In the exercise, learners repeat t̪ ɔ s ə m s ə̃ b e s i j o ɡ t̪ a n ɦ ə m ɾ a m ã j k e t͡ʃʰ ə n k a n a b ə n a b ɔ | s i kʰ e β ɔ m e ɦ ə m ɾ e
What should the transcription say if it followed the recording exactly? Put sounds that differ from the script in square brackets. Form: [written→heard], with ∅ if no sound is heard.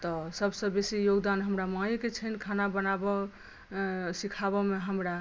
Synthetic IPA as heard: t̪ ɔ s ə [m→b] s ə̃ b e s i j o ɡ [t̪→d̪] a n ɦ ə m ɾ a m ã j k e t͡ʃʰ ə n [k→kʰ] a n a b ə n a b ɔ | s i kʰ [e→a] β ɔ m e ɦ ə m ɾ [e→a]